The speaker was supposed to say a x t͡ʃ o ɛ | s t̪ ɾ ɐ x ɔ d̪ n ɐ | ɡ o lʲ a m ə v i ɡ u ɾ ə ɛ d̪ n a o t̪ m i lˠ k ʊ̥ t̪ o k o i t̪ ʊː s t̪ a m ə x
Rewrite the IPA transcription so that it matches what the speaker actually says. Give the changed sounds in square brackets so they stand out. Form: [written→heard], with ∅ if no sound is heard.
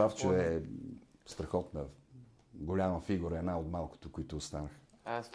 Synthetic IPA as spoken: a [x→f] t͡ʃ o ɛ | s t̪ ɾ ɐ x ɔ [d̪→t̪] n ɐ | ɡ o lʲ a m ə [v→f] i ɡ u ɾ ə ɛ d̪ n a o t̪ m [i→a] lˠ k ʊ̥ t̪ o k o i t̪ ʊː s t̪ a [m→n] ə x